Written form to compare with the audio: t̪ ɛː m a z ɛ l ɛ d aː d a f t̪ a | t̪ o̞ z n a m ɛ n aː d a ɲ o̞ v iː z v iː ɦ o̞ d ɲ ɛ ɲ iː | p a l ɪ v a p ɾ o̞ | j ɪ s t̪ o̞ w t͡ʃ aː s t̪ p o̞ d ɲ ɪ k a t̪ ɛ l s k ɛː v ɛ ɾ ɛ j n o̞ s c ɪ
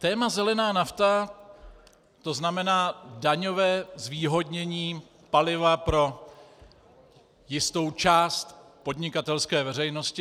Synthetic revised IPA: t̪ ɛː m a z ɛ l ɛ n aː n a f t̪ a | t̪ o̞ z n a m ɛ n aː d a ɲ o̞ v ɛː z v iː ɦ o̞ d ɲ ɛ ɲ iː | p a l ɪ v a p ɾ o̞ | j ɪ s t̪ o̞ w t͡ʃ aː s t̪ p o̞ d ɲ ɪ k a t̪ ɛ l s k ɛː v ɛ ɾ ɛ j n o̞ s c ɪ